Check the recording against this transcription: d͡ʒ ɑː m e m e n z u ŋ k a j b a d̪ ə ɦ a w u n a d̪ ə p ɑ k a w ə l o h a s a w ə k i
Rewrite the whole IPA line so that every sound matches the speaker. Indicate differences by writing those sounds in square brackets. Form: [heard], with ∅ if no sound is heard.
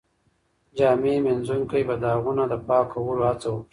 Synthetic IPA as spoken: d͡ʒ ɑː m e m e n z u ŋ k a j b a d̪ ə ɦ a [ɣ] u n a d̪ ə p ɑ k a w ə l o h a [t͡s] a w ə k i

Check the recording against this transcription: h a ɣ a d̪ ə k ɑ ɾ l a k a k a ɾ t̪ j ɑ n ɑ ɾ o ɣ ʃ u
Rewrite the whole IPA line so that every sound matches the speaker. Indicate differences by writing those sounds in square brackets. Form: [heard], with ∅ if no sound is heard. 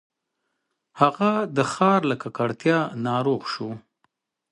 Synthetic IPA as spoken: h a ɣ a d̪ ə [x] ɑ ɾ l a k a k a [ɽ] t̪ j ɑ n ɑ ɾ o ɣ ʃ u

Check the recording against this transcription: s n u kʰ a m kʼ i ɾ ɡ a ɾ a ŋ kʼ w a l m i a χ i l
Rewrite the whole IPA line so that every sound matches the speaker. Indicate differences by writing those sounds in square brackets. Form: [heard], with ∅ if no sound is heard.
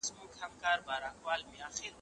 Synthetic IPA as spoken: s [m] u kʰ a m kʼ [a] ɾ [b] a ɾ a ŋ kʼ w a l m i a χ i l

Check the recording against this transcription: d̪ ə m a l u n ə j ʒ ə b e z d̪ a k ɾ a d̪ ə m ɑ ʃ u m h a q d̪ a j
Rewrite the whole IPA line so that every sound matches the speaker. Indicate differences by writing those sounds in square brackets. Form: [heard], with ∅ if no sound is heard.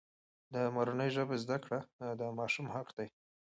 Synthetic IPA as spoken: d̪ ə m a [ɾ] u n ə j ʒ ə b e z d̪ a k [ɽ] a d̪ ə m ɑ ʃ u m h a q d̪ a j

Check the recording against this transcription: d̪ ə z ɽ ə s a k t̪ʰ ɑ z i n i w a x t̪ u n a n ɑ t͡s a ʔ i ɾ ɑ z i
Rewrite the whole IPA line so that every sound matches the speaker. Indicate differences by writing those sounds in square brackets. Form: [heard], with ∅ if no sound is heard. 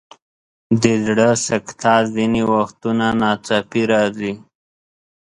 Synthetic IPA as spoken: d̪ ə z ɽ ə s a k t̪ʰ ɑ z i n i w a x t̪ u n a n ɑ t͡s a [p] i ɾ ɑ z i

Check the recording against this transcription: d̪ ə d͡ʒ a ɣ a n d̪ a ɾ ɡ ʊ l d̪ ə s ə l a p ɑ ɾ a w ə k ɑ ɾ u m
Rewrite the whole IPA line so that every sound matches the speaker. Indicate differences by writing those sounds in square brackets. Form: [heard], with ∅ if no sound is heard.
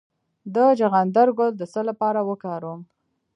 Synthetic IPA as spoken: d̪ ə d͡ʒ a ɣ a n d̪ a ɾ ɡ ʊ l d̪ ə s ə l a p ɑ ɾ a w ə k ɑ ɾ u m

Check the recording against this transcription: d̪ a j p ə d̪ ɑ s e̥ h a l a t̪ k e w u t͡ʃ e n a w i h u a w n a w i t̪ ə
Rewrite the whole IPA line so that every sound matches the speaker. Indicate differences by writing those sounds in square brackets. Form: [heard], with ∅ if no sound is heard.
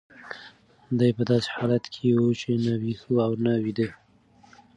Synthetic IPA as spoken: d̪ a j p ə d̪ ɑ s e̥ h [ɑ] l a t̪ [kʰ] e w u t͡ʃ e n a w i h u a w n a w i [d̪] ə

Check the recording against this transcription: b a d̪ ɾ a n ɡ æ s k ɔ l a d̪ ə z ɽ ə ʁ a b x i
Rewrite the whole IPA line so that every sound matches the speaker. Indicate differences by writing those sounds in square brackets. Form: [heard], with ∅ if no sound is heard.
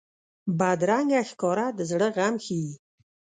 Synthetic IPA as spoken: b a d̪ ɾ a [ŋ] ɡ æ [x] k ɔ [ɾ] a d̪ ə z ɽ ə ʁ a [m] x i

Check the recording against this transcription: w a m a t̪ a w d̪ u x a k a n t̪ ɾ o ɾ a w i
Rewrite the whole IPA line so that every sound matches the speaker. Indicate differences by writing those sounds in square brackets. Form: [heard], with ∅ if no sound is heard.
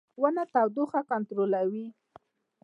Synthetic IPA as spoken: w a [n] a t̪ a w d̪ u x a k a n t̪ ɾ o [l] a w i

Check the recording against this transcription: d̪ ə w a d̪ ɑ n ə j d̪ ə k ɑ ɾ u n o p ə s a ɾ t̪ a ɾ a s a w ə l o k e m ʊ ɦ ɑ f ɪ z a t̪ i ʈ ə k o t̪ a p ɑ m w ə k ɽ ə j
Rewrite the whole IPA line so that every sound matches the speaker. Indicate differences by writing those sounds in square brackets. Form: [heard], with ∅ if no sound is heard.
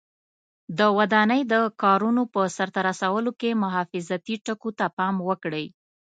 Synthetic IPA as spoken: d̪ ə w a d̪ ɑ n ə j d̪ ə k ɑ ɾ u n o p ə s a ɾ t̪ a ɾ a s a w ə l o k e m ʊ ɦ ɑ f ɪ z a t̪ i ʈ ə k o t̪ a p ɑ m w ə k ɽ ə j

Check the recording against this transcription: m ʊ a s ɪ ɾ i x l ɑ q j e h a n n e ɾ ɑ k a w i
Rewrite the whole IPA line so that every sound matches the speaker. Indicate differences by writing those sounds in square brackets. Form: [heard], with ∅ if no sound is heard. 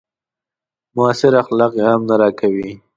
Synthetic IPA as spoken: m ʊ a s ɪ ɾ [a] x l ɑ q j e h a [m] n [a] ɾ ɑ k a w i

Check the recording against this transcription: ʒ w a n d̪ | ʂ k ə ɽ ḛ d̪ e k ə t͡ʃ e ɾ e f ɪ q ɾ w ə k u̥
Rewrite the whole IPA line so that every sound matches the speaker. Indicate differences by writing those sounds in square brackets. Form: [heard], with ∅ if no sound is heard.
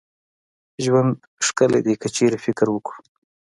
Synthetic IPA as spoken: ʒ w a n d̪ | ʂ k ə [l] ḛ d̪ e k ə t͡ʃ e ɾ e f ɪ [k] ɾ w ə k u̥

